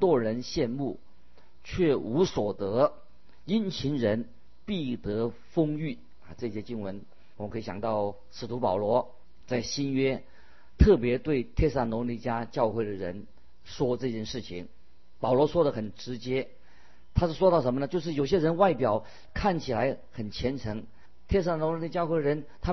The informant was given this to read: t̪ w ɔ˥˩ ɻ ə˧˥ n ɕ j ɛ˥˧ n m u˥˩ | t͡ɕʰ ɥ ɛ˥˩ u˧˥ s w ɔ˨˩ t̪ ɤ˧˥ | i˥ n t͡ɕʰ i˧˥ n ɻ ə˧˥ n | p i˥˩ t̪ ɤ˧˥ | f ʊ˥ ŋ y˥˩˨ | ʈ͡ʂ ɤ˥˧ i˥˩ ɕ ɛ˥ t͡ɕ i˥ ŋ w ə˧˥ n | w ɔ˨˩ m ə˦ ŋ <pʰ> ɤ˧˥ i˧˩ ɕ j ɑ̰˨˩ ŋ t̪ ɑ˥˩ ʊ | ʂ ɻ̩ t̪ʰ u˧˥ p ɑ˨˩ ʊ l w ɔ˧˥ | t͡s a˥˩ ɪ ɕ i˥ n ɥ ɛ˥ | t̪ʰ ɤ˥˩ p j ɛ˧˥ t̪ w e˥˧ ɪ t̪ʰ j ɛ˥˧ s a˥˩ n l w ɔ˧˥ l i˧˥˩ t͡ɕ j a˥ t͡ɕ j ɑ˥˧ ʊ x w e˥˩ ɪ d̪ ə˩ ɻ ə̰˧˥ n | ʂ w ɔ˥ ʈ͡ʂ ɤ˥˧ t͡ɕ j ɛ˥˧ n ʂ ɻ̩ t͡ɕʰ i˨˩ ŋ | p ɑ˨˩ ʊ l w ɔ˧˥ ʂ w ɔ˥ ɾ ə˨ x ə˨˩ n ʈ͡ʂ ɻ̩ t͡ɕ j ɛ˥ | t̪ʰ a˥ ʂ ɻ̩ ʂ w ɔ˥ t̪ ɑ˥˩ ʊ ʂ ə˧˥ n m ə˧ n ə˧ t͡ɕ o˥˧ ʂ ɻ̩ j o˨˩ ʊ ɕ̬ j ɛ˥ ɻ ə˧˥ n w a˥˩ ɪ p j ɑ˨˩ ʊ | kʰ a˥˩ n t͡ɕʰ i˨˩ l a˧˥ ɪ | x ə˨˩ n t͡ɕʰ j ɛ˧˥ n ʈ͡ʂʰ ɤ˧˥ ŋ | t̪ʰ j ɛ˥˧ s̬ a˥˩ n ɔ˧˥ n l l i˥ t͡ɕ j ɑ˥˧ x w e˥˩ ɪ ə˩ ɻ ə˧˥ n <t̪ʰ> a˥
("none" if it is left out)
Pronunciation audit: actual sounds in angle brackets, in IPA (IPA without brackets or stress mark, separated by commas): kʰ, t̪ʰ